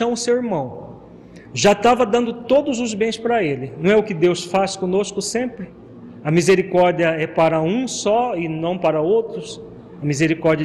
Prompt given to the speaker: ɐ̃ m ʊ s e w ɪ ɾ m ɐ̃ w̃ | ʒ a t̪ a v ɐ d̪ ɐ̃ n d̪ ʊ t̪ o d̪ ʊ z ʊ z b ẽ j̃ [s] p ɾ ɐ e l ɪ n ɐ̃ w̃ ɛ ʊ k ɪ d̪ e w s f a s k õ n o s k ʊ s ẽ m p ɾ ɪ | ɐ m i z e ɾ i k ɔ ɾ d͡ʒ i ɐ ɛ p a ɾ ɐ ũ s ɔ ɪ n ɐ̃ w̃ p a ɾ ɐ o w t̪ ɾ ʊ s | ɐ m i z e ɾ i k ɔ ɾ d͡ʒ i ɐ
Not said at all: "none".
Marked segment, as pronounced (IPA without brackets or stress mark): s